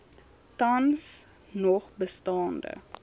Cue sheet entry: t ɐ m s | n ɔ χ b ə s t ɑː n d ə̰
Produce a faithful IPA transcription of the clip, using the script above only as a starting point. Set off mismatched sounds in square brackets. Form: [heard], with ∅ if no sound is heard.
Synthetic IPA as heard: t ɐ [n] s | n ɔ χ b ə s t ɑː n d ə̰